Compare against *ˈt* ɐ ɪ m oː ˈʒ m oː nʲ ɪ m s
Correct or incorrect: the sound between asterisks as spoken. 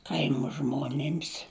incorrect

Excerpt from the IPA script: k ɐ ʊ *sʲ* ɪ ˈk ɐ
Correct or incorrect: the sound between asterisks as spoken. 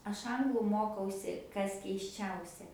correct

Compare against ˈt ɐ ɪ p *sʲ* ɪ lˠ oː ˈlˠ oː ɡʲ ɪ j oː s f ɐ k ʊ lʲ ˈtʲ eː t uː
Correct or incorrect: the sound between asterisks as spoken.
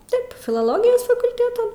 incorrect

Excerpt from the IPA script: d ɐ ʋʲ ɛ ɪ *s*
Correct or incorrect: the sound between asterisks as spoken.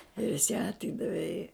incorrect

